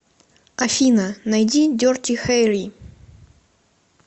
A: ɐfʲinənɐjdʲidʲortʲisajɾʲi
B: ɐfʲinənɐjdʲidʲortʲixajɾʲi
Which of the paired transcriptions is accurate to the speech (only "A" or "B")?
B